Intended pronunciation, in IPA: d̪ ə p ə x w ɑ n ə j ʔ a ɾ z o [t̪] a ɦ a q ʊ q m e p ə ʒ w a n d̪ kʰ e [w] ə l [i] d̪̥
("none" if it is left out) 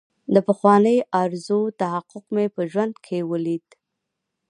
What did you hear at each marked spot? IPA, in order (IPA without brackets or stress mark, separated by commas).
t̪, w, i